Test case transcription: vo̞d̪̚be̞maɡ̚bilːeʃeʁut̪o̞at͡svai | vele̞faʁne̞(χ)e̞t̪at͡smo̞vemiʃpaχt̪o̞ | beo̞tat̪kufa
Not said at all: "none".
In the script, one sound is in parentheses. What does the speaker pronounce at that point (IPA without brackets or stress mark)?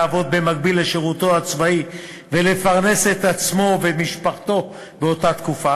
s